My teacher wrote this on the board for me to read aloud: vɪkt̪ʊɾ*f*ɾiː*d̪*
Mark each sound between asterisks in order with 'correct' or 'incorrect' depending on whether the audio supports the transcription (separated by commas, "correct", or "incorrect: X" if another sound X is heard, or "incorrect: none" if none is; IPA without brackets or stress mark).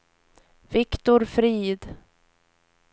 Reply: correct, correct